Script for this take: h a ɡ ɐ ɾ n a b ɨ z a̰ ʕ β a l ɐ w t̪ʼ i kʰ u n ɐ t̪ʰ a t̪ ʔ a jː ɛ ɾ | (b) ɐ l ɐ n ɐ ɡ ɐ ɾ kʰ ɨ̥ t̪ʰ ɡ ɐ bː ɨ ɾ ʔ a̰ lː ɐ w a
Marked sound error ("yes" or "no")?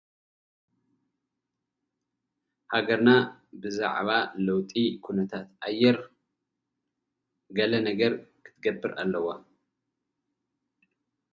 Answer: yes